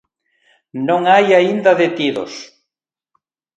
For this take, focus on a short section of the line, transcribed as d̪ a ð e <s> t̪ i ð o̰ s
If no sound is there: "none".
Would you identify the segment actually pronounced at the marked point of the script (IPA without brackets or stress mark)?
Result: none